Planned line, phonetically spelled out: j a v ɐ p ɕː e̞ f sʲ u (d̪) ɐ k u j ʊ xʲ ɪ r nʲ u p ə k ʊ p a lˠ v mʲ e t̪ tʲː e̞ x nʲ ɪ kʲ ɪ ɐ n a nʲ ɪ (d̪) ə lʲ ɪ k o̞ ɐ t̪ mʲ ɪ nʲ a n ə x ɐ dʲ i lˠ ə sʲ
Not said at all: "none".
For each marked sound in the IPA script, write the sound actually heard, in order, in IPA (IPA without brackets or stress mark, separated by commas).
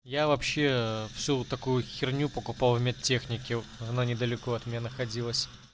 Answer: t̪, d̪